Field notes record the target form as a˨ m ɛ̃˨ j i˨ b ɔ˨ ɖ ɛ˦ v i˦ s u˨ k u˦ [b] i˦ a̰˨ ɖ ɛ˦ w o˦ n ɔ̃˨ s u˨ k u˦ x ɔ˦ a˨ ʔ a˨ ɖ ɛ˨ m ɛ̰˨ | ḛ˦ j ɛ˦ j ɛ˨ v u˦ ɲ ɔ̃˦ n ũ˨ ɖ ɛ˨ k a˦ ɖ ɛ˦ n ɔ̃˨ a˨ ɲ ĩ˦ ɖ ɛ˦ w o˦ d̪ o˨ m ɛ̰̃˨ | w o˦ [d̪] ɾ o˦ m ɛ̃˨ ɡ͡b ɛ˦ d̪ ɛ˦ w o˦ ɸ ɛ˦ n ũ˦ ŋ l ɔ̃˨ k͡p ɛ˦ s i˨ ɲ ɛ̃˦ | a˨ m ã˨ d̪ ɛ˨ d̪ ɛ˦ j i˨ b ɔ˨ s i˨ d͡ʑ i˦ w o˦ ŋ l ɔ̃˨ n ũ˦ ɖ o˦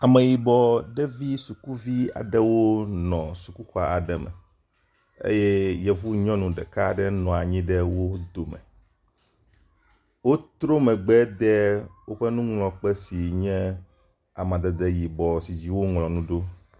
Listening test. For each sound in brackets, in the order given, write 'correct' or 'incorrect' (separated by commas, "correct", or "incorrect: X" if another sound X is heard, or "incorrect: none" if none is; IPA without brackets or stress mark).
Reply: incorrect: v, incorrect: t̪